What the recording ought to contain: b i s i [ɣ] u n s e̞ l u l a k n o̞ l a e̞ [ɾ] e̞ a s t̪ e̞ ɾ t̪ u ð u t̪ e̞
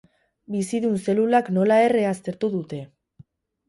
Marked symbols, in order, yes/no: no, no

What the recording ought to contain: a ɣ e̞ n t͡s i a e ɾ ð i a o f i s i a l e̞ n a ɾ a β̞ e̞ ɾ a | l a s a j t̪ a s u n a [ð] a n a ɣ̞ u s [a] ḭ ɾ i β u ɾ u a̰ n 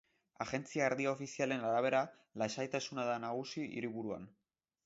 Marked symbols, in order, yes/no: yes, no

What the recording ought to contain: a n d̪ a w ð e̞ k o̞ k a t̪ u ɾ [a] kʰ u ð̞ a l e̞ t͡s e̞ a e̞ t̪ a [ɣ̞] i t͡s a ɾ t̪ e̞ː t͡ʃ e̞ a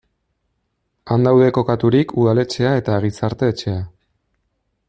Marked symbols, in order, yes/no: no, yes

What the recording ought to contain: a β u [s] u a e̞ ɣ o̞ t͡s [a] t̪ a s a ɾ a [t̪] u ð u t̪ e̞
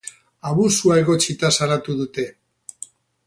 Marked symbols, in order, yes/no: yes, no, yes

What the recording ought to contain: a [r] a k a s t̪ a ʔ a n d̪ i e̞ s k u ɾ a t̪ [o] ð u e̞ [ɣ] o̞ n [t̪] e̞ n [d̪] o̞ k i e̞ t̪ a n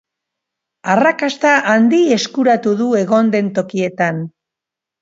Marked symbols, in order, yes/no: yes, no, yes, no, no

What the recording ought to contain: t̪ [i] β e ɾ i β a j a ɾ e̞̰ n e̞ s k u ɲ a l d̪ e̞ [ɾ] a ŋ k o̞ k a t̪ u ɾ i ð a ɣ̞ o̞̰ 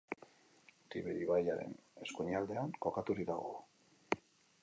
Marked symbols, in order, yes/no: yes, no

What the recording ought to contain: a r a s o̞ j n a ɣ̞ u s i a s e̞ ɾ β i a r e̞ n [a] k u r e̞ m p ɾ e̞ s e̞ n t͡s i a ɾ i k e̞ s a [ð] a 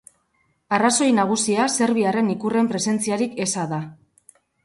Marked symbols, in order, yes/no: no, yes

